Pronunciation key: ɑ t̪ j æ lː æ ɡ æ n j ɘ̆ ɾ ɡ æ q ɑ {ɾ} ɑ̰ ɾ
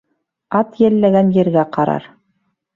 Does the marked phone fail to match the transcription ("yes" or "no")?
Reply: no